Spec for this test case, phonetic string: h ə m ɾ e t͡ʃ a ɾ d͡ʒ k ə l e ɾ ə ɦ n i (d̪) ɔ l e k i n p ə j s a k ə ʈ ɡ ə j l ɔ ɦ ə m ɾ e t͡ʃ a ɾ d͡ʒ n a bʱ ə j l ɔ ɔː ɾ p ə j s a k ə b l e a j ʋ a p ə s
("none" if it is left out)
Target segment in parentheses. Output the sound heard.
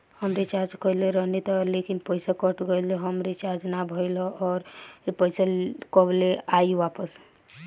t̪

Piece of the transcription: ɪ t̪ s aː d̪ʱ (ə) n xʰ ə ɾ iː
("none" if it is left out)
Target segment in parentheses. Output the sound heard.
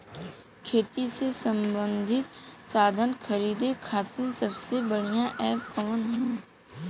ə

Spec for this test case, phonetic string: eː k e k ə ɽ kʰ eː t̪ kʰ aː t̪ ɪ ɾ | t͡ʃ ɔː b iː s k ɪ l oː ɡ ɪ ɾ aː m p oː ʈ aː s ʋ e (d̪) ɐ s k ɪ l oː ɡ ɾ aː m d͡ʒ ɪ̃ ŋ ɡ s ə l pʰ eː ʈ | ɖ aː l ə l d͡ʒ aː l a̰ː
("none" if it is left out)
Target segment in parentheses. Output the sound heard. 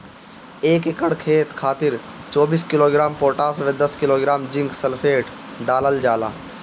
d̪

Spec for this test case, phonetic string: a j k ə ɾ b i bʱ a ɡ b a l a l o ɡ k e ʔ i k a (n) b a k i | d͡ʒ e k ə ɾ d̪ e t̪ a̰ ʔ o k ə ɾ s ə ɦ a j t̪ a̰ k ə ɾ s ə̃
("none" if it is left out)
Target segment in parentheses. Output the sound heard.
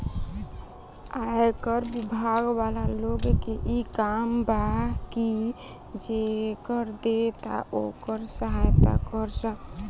m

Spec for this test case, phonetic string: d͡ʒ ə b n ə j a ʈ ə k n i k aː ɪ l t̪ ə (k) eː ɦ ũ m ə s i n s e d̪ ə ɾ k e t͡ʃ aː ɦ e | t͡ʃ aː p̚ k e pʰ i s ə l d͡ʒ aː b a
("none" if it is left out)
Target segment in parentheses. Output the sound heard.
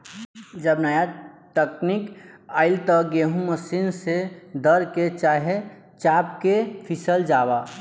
ɡ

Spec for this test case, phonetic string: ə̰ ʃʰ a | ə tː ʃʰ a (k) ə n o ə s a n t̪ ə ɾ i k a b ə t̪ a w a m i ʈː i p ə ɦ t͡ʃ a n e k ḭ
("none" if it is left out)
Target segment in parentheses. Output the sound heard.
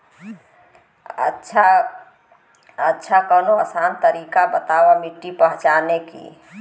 k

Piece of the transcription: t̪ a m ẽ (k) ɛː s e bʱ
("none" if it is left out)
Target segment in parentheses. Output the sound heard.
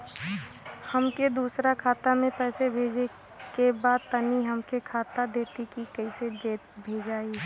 p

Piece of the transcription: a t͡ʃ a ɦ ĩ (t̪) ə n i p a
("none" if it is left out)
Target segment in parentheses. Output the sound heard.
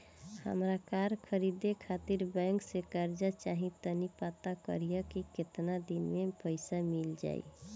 t̪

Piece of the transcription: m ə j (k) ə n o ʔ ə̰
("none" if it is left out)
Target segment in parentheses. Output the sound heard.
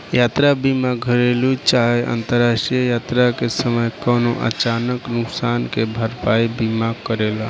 k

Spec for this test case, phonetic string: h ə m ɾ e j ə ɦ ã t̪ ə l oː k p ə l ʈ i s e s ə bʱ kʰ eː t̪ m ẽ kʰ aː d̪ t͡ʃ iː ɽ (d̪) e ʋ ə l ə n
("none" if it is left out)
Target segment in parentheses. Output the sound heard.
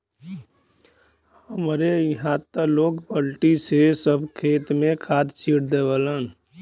d̪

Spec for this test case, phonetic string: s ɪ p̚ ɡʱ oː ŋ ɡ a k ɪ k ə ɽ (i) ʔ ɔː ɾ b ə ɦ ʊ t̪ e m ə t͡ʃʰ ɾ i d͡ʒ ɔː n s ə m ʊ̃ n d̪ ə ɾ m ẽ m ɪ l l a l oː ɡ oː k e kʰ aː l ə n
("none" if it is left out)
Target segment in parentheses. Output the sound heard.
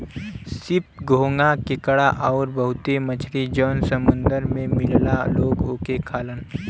a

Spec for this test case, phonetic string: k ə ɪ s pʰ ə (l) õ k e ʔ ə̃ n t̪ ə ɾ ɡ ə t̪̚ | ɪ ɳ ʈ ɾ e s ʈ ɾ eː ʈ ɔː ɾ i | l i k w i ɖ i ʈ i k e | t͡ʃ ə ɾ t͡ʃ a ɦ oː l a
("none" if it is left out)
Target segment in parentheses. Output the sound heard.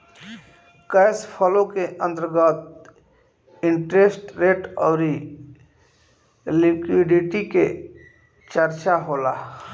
l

